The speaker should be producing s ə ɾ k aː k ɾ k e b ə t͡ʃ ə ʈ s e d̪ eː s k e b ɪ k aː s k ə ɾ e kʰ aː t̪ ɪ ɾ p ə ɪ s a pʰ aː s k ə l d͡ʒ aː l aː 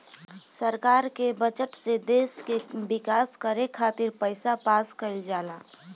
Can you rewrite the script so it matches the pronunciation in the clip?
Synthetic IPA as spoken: s ə ɾ k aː ɾ k e b ə t͡ʃ ə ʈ s e d̪ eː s k e b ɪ k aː s k ə ɾ e kʰ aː t̪ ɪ ɾ p ə ɪ s a p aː s k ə l d͡ʒ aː l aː